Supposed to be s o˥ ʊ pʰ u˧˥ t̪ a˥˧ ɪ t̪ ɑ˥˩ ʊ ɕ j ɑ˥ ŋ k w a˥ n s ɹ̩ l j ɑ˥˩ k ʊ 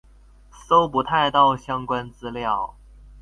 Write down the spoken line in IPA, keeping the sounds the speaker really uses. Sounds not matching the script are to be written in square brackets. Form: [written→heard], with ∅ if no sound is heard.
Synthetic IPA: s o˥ ʊ [pʰ→p] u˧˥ [t̪→t̪ʰ] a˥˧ ɪ t̪ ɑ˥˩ ʊ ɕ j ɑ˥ ŋ k w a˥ n [s→t͡s] ɹ̩ l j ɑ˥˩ [k→∅] ʊ

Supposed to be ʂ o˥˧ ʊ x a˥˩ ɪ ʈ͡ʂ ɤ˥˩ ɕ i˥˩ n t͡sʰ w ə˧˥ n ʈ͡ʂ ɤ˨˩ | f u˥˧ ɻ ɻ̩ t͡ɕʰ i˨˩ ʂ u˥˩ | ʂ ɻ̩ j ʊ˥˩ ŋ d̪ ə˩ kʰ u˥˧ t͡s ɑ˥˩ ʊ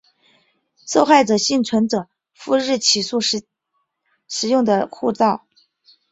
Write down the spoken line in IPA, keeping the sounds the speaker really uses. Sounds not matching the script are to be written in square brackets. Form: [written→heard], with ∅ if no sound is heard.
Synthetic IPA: ʂ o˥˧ ʊ x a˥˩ ɪ ʈ͡ʂ [ɤ˥˩→ɤ˨˩] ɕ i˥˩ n t͡sʰ w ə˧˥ n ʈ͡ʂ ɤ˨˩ | f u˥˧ ɻ ɻ̩ t͡ɕʰ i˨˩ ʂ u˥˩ | ʂ ɻ̩ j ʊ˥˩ ŋ d̪ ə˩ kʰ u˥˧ t͡s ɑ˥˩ ʊ

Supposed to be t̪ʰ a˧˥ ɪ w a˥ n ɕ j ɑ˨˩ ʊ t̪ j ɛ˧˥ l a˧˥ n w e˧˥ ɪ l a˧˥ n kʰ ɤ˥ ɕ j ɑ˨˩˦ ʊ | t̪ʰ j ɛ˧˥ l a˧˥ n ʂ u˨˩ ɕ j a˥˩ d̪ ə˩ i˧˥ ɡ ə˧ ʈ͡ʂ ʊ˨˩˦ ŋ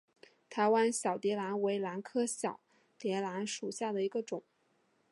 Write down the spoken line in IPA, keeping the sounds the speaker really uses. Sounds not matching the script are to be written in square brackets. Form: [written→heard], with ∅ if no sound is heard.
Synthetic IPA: t̪ʰ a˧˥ ɪ w a˥ n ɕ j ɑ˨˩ ʊ t̪ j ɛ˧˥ l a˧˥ n w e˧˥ ɪ l a˧˥ n kʰ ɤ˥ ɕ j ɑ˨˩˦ ʊ | [t̪ʰ→t̪] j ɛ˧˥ l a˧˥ n ʂ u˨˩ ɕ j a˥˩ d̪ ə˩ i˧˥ ɡ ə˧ ʈ͡ʂ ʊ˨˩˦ ŋ

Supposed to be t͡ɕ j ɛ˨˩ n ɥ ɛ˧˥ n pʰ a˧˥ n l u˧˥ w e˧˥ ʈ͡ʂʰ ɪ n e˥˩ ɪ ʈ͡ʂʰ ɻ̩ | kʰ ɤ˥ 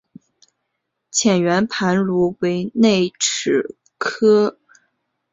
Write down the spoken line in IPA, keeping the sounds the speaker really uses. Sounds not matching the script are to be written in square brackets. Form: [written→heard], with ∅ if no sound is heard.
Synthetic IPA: [t͡ɕ→t͡ɕʰ] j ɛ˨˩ n ɥ ɛ˧˥ n pʰ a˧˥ n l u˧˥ w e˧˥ [ʈ͡ʂʰ→∅] ɪ n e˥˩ ɪ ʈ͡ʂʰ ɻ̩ | kʰ ɤ˥

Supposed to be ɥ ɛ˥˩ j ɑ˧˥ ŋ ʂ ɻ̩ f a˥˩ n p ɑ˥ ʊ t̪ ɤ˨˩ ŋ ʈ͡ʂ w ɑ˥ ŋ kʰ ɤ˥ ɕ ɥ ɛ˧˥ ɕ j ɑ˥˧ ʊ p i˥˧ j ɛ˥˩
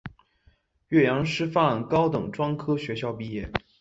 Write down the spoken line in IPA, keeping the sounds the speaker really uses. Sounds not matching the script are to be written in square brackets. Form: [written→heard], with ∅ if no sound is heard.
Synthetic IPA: ɥ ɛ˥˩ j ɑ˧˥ ŋ ʂ ɻ̩ f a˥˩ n [p→k] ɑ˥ ʊ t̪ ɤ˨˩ ŋ ʈ͡ʂ w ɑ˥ ŋ kʰ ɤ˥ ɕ ɥ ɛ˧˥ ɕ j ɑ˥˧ ʊ p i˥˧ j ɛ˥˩

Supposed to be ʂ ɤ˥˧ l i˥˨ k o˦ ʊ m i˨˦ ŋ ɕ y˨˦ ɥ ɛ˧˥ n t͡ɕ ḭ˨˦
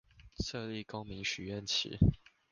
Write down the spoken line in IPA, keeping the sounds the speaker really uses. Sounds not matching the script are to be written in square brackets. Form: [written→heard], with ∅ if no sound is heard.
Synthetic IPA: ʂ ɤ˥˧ l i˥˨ k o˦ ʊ m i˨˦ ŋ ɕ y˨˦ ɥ [ɛ˧˥→ɛ˥˨] n [t͡ɕ→t͡ɕʰ] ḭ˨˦

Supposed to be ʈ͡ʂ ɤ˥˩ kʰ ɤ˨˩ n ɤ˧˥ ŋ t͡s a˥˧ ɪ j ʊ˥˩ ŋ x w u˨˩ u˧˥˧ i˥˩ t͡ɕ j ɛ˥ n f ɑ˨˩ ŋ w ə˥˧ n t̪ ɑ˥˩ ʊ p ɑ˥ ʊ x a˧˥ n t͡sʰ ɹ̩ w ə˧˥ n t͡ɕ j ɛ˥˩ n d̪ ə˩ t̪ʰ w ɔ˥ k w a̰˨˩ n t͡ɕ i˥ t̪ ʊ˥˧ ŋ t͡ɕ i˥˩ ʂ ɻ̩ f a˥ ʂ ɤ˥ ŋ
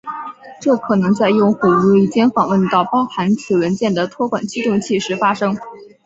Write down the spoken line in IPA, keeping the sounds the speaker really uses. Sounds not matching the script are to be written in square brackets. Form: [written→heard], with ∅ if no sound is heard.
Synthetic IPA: ʈ͡ʂ ɤ˥˩ kʰ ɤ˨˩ n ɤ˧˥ ŋ t͡s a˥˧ ɪ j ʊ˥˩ ŋ x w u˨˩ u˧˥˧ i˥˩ t͡ɕ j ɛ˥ n f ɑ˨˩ ŋ w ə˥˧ n t̪ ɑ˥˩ ʊ p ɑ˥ ʊ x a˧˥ n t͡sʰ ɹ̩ w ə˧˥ n t͡ɕ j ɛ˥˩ n d̪ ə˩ t̪ʰ w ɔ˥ k w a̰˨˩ n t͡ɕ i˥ t̪ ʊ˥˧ ŋ [t͡ɕ→t͡ɕʰ] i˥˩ ʂ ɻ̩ f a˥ ʂ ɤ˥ ŋ

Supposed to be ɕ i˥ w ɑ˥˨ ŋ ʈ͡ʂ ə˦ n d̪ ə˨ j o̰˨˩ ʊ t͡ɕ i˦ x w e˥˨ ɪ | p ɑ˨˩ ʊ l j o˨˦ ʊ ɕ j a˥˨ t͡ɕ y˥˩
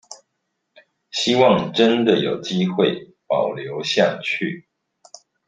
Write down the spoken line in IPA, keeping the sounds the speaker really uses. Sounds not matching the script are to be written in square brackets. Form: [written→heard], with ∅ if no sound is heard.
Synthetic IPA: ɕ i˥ w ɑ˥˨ ŋ ʈ͡ʂ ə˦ n d̪ ə˨ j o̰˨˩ ʊ t͡ɕ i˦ x w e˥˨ ɪ | p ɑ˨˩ ʊ l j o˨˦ ʊ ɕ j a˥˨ [t͡ɕ→t͡ɕʰ] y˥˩

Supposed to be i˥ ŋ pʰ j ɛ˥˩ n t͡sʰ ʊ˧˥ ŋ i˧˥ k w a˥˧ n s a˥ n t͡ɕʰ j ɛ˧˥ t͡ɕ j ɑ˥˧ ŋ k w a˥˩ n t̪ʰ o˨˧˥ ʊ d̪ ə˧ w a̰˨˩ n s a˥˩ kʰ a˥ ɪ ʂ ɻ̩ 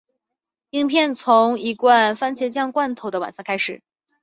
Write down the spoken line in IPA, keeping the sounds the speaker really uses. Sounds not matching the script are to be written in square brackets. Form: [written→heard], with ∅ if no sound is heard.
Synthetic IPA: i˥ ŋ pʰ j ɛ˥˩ n t͡sʰ ʊ˧˥ ŋ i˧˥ k w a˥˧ n [s→f] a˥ n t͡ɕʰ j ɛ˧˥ t͡ɕ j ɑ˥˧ ŋ k w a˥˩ n t̪ʰ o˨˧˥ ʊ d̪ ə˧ w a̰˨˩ n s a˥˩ kʰ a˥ ɪ ʂ ɻ̩

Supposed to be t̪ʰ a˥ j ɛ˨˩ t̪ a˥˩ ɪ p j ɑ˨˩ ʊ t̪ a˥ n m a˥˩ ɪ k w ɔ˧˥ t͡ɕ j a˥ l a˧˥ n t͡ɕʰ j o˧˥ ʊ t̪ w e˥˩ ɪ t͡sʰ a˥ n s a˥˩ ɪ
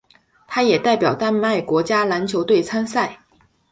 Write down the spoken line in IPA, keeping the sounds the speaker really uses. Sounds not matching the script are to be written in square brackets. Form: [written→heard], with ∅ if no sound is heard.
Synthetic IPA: t̪ʰ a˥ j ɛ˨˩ t̪ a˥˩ ɪ p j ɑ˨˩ ʊ t̪ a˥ n m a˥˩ ɪ k w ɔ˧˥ t͡ɕ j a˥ l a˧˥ n t͡ɕʰ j o˧˥ ʊ t̪ w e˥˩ ɪ t͡sʰ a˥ n s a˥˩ ɪ

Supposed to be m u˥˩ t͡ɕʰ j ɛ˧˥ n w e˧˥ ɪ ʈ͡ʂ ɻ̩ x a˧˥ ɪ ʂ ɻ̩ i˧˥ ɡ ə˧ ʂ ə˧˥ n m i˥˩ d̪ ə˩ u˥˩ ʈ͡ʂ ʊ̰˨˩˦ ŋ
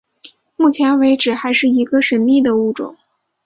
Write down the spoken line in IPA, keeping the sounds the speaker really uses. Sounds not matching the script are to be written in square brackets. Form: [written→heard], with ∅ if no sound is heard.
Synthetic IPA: m u˥˩ t͡ɕʰ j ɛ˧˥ n w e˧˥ ɪ ʈ͡ʂ ɻ̩ x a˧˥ ɪ ʂ ɻ̩ i˧˥ ɡ ə˧ ʂ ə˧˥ n m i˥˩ d̪ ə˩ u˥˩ ʈ͡ʂ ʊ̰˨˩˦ ŋ

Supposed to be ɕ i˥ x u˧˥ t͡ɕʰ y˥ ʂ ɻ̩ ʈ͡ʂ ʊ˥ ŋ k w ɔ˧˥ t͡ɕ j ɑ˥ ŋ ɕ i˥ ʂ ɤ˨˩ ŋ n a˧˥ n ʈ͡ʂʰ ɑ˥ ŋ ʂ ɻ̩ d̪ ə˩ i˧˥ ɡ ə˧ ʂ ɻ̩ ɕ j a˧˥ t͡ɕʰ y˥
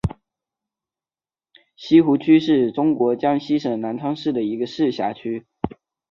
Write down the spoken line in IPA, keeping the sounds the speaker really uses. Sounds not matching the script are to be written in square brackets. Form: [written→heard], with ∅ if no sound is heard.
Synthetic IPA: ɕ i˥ x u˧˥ t͡ɕʰ y˥ ʂ ɻ̩ ʈ͡ʂ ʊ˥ ŋ k w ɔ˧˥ t͡ɕ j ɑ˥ ŋ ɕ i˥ ʂ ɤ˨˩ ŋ n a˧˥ n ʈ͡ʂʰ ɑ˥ ŋ ʂ ɻ̩ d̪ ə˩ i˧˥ ɡ ə˧ ʂ ɻ̩ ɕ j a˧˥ t͡ɕʰ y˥

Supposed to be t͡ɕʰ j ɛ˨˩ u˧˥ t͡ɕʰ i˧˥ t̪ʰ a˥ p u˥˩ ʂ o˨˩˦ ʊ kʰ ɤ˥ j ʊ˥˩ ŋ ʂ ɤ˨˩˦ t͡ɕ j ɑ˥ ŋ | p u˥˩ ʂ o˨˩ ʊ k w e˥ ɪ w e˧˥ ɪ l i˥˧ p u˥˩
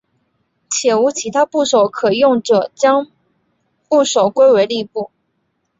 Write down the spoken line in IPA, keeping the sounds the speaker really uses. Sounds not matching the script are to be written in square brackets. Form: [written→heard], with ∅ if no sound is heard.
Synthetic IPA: t͡ɕʰ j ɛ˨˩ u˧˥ t͡ɕʰ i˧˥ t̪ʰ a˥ p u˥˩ ʂ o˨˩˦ ʊ kʰ [ɤ˥→ɤ˨˩] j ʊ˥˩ ŋ [ʂ→ʈ͡ʂ] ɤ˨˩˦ t͡ɕ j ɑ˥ ŋ | p u˥˩ ʂ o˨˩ ʊ k w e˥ ɪ w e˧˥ ɪ l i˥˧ p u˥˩

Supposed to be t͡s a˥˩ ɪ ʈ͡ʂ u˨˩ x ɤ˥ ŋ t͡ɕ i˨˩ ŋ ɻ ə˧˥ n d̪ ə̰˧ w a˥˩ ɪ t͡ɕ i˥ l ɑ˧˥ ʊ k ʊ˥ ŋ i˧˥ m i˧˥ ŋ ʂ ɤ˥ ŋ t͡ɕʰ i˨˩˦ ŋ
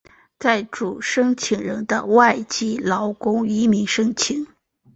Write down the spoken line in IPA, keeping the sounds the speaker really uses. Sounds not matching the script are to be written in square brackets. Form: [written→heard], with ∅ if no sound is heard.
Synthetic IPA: t͡s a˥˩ ɪ ʈ͡ʂ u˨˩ [x→ʂ] ɤ˥ ŋ [t͡ɕ→t͡ɕʰ] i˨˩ ŋ ɻ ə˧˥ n d̪ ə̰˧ w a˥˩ ɪ t͡ɕ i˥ l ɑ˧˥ ʊ k ʊ˥ ŋ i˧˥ m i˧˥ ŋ ʂ ɤ˥ ŋ t͡ɕʰ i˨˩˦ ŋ

